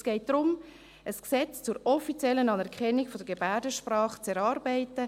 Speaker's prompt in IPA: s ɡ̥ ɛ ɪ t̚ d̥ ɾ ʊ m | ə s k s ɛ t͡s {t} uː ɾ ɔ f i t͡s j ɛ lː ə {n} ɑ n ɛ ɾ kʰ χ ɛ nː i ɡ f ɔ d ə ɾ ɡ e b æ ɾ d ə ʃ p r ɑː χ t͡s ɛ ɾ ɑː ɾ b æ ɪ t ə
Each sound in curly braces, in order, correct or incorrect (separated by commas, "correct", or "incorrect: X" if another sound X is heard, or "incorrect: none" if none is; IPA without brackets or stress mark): incorrect: t͡s, correct